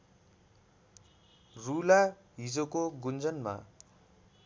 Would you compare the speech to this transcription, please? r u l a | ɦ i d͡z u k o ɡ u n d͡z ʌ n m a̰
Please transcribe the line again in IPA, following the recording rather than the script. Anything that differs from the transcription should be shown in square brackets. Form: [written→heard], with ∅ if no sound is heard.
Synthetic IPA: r u l a | ɦ i d͡z [u→o] k o ɡ u n d͡z ʌ n m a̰